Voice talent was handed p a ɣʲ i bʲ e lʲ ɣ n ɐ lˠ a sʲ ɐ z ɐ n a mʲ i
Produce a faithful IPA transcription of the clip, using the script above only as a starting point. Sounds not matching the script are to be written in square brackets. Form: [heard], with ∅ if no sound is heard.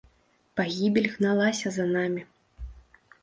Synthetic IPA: p a ɣʲ i bʲ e lʲ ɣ n [a] lˠ a sʲ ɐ z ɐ n a mʲ i